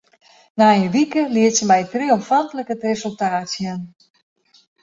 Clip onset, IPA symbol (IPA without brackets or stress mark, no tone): n